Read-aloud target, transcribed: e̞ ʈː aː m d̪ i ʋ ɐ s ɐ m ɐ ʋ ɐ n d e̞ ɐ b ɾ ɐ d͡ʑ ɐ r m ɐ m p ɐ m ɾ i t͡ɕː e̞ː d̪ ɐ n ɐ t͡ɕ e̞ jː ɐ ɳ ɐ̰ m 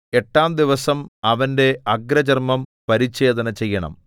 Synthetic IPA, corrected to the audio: e̞ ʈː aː m d̪ i ʋ ɐ s ɐ m ɐ ʋ ɐ n d e̞ ɐ ɡ ɾ ɐ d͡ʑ ɐ r m ɐ m p ɐ ɾ i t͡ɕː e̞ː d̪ ɐ n ɐ t͡ɕ e̞ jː ɐ ɳ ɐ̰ m